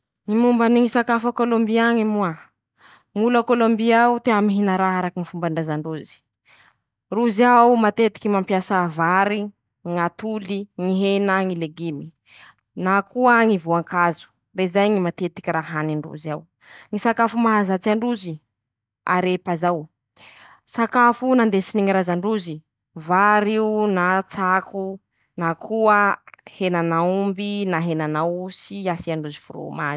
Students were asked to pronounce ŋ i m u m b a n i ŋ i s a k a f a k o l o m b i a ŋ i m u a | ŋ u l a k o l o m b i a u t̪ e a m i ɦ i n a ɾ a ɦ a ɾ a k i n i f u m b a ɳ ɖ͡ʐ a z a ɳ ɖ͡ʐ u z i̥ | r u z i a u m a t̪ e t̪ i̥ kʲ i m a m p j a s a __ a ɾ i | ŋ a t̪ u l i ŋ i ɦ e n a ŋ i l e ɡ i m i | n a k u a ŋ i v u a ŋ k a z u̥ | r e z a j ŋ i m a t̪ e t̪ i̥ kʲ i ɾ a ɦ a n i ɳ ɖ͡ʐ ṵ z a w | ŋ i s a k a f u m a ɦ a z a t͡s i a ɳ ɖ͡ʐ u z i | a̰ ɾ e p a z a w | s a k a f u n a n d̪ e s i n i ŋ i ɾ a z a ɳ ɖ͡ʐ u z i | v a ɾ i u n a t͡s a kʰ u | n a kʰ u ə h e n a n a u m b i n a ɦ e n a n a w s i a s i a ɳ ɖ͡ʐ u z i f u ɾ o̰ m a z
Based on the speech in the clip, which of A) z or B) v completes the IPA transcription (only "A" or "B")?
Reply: B